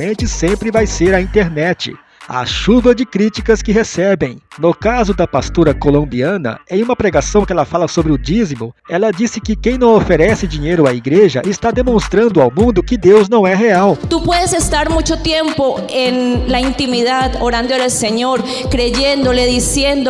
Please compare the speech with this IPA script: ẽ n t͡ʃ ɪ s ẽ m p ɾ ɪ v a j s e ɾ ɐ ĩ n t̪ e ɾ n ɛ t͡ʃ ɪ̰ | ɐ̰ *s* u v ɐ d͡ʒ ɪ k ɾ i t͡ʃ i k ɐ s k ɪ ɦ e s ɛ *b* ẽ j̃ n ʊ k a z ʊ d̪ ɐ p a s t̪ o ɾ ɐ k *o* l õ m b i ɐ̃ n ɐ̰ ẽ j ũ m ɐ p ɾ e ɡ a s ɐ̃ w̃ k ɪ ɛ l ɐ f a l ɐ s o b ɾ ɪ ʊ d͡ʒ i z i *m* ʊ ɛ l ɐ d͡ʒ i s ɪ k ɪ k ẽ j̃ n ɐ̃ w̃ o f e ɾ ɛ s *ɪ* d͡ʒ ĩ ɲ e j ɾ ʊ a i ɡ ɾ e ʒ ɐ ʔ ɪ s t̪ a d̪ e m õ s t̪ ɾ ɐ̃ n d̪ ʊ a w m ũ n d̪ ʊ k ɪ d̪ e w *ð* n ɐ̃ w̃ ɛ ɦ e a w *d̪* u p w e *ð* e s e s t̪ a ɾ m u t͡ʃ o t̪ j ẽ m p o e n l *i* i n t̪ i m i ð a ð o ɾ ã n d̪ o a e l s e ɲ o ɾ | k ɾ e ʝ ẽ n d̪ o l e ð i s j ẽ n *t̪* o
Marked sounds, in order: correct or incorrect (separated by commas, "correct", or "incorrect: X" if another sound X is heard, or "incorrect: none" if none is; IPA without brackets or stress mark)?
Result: incorrect: ʃ, correct, correct, correct, correct, incorrect: z, incorrect: t̪, correct, incorrect: a, incorrect: d̪